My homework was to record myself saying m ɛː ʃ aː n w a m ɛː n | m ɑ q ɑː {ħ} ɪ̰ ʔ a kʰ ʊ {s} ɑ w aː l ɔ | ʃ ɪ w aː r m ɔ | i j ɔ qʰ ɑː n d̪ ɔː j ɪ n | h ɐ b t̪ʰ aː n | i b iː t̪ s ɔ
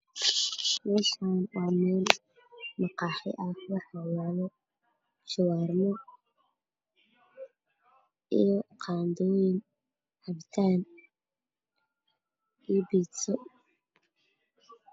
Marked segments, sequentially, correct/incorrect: correct, incorrect

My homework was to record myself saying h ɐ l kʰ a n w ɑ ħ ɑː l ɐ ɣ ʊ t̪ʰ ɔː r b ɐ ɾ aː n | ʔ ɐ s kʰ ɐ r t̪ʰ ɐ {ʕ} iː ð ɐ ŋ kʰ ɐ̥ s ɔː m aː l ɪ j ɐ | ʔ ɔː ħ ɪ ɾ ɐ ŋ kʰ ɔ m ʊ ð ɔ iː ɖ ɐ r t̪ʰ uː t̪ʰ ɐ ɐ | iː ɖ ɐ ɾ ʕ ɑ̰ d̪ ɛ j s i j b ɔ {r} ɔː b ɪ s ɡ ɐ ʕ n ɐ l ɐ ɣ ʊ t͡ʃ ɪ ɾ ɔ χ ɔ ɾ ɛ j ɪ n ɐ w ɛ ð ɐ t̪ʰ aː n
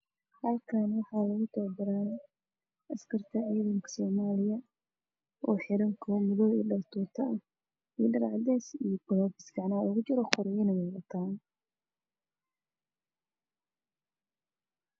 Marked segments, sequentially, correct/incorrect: correct, incorrect

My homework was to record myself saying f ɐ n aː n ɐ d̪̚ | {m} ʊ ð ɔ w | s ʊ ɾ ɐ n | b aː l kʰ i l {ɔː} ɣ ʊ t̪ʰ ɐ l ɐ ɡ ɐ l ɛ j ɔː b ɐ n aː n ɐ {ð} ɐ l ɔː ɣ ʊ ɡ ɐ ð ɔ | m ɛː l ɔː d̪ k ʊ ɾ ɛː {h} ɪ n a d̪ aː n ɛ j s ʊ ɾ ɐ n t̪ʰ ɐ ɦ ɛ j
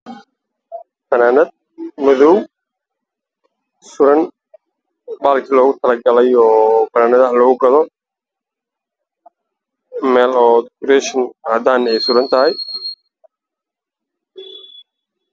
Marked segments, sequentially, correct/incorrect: correct, correct, correct, incorrect

